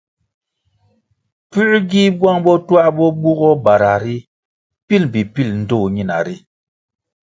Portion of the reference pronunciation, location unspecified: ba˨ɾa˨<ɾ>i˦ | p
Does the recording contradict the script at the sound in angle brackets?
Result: no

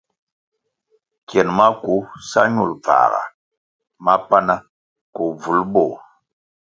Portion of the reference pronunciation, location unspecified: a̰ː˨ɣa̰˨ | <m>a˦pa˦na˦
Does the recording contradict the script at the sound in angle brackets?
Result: no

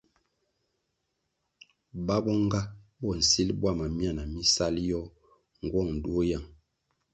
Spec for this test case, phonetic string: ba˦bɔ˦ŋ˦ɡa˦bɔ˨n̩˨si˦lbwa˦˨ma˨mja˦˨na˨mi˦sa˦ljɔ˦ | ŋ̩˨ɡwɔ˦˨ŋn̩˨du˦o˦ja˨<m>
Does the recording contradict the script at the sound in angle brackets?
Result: yes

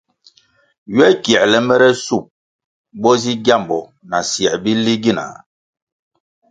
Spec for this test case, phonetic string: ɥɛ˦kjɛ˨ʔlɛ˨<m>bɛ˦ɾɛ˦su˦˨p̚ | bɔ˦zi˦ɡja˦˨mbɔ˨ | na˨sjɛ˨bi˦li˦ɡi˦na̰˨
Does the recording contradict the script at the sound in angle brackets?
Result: no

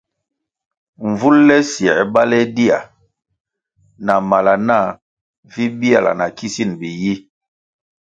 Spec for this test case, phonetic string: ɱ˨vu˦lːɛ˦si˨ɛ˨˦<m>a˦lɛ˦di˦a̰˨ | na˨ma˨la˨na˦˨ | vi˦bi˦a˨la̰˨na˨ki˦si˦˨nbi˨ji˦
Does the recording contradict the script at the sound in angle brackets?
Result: yes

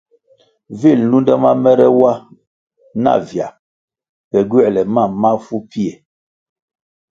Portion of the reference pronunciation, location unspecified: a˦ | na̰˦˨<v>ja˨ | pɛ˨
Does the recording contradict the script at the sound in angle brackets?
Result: no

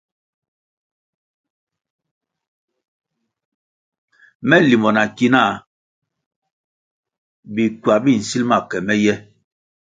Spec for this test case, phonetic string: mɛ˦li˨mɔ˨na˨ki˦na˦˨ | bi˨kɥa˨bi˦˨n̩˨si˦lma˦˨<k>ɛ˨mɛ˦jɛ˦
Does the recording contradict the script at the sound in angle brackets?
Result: no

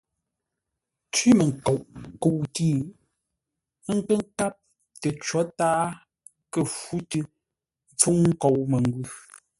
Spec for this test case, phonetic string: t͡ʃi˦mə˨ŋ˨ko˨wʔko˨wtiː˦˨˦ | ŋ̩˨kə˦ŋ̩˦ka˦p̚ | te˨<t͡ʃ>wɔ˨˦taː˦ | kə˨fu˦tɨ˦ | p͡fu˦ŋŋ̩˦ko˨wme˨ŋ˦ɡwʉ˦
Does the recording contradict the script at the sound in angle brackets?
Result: no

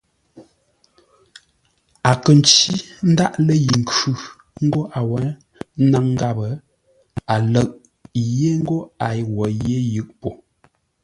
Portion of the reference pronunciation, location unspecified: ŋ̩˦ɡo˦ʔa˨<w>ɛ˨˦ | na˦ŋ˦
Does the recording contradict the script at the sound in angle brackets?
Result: no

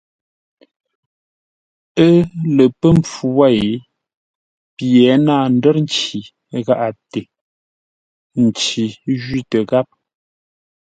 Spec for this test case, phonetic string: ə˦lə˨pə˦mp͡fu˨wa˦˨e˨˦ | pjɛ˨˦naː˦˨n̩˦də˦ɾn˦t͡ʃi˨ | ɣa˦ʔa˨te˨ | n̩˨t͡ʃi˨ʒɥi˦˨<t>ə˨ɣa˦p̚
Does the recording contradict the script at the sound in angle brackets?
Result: no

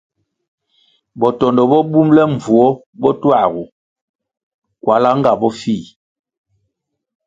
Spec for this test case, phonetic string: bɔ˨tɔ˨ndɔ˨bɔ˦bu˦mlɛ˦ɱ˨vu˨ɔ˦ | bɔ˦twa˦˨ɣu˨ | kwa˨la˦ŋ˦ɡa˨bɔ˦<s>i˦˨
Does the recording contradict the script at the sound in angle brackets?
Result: yes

